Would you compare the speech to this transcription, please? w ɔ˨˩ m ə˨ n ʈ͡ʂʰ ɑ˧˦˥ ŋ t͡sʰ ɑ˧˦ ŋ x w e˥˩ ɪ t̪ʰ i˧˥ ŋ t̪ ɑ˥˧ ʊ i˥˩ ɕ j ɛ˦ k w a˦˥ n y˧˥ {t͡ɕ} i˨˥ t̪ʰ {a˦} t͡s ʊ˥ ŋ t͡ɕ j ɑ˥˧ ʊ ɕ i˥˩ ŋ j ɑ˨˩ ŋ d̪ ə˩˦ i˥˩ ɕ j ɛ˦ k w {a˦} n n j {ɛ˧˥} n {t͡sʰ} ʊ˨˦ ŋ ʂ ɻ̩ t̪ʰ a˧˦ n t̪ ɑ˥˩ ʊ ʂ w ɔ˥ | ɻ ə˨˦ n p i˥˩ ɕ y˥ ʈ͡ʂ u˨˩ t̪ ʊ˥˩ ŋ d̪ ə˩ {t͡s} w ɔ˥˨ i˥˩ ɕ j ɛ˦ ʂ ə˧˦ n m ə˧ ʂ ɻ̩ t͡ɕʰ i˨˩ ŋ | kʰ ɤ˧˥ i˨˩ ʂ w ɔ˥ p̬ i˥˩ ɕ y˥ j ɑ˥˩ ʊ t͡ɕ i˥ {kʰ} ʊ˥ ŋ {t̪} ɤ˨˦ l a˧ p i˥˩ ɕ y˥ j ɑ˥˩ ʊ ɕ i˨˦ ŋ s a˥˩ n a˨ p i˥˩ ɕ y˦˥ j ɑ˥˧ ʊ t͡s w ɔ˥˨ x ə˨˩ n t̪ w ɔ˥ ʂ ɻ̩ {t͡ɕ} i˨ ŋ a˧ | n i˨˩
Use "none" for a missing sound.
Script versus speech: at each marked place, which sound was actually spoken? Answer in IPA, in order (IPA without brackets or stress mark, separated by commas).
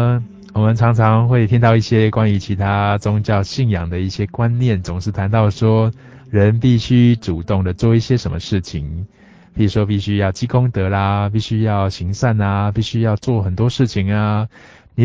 t͡ɕʰ, a˦, a˦, ɛ˥˨˩, t͡s, t͡s, k, t̪, t͡ɕʰ